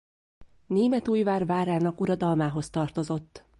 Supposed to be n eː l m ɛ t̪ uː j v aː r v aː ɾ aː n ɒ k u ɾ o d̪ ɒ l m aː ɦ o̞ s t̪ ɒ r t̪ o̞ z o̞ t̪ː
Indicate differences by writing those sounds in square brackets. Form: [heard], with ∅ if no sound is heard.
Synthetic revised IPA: n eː [∅] m ɛ t̪ uː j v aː r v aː ɾ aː n ɒ k u ɾ [ɒ] d̪ ɒ l m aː ɦ o̞ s t̪ ɒ r t̪ o̞ z o̞ t̪ː